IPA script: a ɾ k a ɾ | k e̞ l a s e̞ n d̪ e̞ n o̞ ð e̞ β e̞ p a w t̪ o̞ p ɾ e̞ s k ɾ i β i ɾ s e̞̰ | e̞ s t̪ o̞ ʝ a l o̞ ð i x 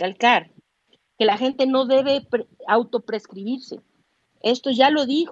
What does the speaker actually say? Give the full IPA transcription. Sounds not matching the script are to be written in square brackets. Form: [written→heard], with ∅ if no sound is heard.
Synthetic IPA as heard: a [ɾ→l] k a ɾ | k e̞ l a [s→x] e̞ n [d̪→t̪] e̞ n o̞ ð e̞ β e̞ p a w t̪ o̞ p ɾ e̞ s k ɾ i β i ɾ s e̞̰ | e̞ s t̪ o̞ ʝ a l o̞ ð i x